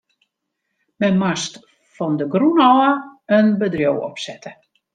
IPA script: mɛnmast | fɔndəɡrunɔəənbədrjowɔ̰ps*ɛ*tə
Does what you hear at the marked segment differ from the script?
no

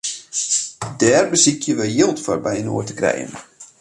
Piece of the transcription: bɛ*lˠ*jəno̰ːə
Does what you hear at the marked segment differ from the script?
yes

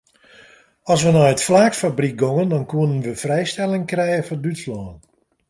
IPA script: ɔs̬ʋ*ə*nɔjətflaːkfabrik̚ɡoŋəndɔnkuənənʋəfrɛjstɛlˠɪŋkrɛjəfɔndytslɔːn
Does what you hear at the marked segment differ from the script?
no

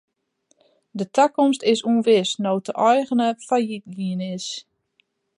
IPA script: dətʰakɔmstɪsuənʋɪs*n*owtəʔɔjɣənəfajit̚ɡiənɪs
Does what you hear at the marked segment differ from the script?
no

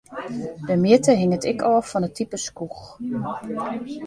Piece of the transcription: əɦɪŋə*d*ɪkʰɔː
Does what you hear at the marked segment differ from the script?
yes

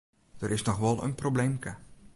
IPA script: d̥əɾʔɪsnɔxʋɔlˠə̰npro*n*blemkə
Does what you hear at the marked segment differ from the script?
yes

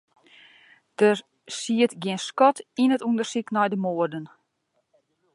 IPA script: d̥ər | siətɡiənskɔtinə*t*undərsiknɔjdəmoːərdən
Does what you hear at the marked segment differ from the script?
no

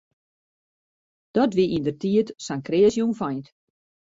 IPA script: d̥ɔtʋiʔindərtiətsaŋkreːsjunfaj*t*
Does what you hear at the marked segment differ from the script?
no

